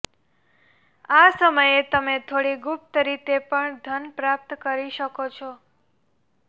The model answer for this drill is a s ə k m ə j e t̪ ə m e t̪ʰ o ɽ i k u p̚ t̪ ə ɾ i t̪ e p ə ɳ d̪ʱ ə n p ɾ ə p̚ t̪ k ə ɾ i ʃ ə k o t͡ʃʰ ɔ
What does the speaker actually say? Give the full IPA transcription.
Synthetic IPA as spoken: a s ə m ə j e t̪ ə m e t̪ʰ o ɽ i ɡ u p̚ t̪ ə ɾ i t̪ e p ə ɳ d̪ʱ ə n p ɾ a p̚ t̪ k ə ɾ i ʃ ə k o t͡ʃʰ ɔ